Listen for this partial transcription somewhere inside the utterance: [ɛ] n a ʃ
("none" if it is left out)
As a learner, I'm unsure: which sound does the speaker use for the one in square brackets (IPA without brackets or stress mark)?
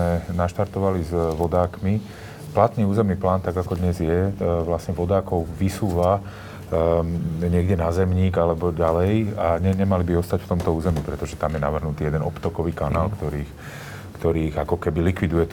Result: ɛ